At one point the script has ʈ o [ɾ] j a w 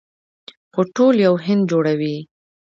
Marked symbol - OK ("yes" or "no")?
no